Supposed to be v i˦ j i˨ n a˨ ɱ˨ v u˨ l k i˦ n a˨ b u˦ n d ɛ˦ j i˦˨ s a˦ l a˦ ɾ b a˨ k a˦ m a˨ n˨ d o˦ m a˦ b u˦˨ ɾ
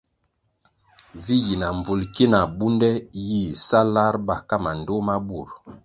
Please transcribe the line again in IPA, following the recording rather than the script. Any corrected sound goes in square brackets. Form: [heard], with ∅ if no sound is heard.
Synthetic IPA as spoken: v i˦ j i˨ n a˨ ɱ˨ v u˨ l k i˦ n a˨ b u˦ n d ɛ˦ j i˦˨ s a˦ l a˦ ɾ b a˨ k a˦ m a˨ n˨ d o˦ m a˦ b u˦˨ ɾ